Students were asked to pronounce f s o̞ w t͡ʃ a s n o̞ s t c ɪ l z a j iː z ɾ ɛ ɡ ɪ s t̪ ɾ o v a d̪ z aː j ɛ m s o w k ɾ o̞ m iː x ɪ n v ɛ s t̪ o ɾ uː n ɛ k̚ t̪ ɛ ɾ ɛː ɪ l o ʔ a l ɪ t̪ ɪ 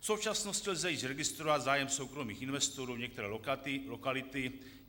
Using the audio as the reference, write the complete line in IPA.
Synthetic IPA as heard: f s o̞ w t͡ʃ a s n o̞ s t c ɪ l z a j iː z ɾ ɛ ɡ ɪ s t̪ ɾ o v a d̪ z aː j ɛ m s o w k ɾ o̞ m iː x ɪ n v ɛ s t̪ o ɾ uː ɲ ɛ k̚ t̪ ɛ ɾ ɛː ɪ l o k a l ɪ t̪ ɪ